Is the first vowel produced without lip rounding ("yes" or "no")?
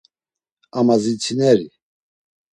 yes